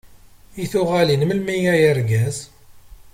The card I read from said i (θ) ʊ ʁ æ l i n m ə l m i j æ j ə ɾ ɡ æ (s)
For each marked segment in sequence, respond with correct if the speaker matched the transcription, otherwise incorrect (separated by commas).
correct, incorrect